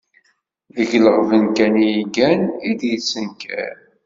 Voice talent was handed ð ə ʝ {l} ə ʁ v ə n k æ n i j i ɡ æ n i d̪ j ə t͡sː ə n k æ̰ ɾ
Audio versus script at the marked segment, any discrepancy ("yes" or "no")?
no